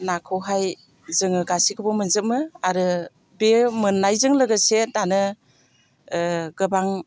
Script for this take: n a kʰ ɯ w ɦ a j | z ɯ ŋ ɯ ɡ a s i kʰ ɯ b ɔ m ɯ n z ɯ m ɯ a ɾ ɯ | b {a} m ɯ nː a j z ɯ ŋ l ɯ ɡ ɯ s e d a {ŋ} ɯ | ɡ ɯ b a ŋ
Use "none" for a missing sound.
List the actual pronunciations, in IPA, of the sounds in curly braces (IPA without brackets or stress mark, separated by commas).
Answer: e, n